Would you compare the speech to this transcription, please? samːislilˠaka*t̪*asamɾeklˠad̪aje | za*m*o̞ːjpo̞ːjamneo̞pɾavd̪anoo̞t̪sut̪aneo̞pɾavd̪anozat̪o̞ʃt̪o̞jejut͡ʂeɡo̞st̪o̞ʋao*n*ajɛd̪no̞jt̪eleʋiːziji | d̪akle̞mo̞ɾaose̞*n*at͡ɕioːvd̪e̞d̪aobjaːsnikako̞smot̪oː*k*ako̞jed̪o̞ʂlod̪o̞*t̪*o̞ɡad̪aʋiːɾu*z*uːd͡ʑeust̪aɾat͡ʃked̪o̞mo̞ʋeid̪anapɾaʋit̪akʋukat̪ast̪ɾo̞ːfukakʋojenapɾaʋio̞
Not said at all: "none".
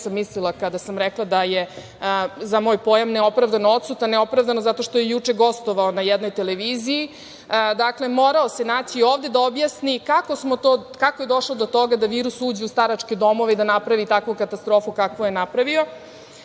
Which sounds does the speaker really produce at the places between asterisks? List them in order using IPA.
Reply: d̪, m, n, n, k, t̪, s

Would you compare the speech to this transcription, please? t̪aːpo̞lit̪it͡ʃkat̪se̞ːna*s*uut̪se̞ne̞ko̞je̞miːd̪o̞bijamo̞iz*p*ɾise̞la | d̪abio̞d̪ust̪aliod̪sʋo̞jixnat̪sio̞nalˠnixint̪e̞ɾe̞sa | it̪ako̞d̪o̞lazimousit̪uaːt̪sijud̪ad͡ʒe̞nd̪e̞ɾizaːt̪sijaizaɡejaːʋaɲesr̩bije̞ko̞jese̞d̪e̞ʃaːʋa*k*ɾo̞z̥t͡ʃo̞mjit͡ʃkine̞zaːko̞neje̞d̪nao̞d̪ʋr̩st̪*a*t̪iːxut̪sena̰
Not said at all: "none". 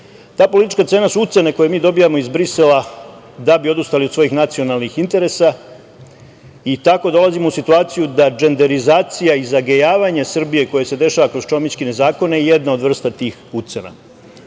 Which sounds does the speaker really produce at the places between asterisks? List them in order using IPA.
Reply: s, b, k, a

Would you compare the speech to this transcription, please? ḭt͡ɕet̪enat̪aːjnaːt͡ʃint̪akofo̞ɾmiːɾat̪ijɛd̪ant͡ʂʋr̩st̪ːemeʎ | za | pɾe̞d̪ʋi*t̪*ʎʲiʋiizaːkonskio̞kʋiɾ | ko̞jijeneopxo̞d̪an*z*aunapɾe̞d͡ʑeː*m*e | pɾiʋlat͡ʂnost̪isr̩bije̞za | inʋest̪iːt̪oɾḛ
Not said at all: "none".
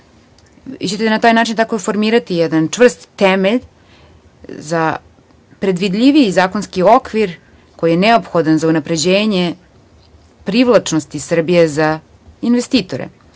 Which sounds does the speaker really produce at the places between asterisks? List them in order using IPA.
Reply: d̪, z, ɲ

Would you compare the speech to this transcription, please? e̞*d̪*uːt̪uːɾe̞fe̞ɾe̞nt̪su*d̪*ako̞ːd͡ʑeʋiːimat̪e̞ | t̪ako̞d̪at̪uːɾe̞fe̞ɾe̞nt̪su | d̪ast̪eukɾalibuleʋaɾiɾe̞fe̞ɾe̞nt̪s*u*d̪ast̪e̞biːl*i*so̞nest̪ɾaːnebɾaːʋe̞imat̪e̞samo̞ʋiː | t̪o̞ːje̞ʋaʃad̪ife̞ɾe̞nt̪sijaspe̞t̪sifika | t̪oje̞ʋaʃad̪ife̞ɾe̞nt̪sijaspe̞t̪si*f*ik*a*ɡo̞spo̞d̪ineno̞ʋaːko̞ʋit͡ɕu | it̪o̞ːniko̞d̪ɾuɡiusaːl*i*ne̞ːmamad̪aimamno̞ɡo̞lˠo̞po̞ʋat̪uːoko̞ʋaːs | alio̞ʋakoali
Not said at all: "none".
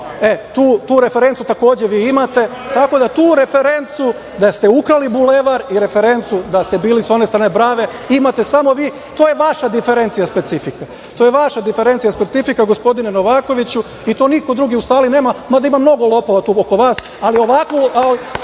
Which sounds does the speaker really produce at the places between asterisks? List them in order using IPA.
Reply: t̪, t̪, u, i, f, a, i

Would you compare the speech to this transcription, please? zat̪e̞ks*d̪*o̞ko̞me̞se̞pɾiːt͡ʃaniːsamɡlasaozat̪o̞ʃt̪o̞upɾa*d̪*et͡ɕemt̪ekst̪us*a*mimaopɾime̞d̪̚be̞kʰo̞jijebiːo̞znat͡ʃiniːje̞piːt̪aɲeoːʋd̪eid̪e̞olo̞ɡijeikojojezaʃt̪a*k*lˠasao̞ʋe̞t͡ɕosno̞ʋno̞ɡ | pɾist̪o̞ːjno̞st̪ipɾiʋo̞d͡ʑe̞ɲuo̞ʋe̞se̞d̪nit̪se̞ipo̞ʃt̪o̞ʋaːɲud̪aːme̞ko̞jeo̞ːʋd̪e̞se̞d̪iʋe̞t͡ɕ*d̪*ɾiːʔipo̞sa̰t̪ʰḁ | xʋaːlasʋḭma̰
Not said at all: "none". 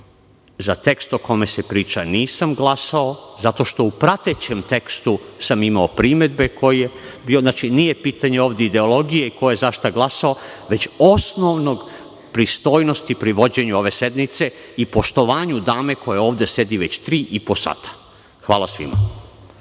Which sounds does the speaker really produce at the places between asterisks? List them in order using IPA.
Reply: t̪, t̪, a, ɡ, t̪

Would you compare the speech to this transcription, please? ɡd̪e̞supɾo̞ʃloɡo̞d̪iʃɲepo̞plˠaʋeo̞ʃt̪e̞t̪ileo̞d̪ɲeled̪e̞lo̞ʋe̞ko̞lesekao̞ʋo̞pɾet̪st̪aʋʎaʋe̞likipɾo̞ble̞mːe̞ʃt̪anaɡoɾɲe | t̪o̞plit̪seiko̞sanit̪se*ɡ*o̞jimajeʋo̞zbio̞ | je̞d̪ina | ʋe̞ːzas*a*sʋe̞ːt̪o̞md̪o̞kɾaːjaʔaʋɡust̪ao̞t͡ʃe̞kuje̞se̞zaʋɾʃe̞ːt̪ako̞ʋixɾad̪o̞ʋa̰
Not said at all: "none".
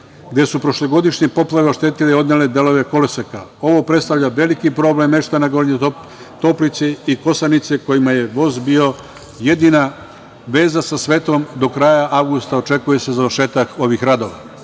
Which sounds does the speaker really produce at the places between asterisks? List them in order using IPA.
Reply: k, a

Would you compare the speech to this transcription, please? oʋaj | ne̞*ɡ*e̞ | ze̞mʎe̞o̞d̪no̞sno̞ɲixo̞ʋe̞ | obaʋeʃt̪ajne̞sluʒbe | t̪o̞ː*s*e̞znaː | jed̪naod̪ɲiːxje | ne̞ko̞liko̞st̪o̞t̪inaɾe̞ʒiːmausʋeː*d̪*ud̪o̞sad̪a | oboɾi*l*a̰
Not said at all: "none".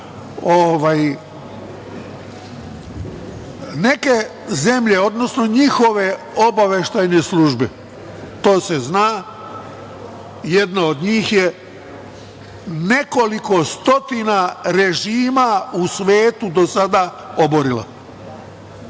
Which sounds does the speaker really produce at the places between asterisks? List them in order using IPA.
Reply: k, s, t̪, l

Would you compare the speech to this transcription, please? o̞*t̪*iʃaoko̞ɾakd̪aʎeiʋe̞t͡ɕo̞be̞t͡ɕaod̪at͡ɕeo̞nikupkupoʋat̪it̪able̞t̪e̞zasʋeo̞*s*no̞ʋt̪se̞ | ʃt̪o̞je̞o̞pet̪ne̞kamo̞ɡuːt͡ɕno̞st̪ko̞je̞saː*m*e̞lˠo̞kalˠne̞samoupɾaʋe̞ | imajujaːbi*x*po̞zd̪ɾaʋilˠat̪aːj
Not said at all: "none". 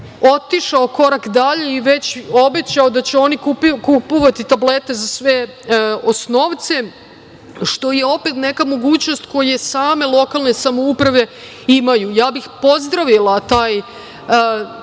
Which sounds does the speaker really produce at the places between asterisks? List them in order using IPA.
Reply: t̪, s, m, x

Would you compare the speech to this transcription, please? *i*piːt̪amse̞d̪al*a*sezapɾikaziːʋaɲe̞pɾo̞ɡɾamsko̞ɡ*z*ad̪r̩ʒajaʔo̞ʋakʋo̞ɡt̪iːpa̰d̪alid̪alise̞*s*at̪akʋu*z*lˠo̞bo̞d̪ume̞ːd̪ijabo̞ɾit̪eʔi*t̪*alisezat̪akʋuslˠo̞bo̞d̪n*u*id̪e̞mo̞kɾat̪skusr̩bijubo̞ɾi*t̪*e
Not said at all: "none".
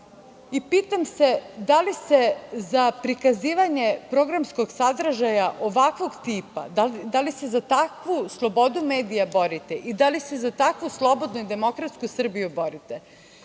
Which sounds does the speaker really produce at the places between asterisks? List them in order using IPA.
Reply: i, i, s, z, s, d̪, u, t̪

